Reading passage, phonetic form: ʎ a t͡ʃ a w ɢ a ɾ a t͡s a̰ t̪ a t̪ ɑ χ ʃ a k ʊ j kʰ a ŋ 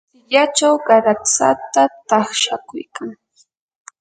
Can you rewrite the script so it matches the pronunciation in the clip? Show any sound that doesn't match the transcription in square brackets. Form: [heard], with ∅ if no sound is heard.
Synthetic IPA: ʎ a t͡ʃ a w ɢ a ɾ a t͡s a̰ t̪ a t̪ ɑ χ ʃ a k ʊ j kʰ a ŋ